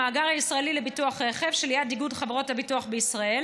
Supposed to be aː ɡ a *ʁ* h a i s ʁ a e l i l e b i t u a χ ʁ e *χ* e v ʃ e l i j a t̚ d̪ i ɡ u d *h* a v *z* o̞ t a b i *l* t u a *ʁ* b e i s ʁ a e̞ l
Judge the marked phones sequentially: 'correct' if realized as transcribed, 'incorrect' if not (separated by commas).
correct, correct, incorrect, incorrect, incorrect, incorrect